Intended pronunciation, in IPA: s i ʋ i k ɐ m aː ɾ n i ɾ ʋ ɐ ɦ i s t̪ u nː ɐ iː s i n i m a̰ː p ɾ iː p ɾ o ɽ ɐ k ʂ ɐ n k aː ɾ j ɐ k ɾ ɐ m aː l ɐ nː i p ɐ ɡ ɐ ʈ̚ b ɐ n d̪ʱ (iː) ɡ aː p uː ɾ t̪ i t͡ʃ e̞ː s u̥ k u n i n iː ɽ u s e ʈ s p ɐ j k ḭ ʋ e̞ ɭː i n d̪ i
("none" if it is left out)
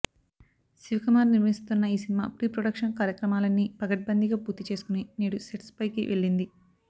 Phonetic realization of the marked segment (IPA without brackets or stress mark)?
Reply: i